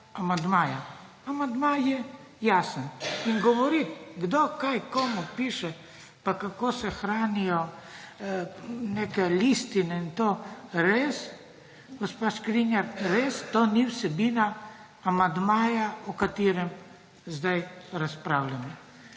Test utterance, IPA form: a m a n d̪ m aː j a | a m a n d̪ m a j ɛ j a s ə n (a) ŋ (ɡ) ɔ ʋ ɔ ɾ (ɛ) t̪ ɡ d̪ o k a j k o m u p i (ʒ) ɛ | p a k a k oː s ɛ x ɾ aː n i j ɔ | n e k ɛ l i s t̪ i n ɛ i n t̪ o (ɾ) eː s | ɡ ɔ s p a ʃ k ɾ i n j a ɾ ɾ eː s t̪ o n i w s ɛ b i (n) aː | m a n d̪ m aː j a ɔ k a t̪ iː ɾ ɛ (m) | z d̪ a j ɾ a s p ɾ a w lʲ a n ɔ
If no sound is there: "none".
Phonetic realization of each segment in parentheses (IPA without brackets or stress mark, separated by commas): i, ɡ, i, ʃ, ɾ, n, m